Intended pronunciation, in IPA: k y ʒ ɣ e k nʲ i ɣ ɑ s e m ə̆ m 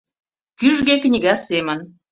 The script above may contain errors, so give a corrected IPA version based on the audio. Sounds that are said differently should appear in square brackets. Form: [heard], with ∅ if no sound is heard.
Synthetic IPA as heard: k y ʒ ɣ e k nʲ i ɣ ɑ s e m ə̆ [n]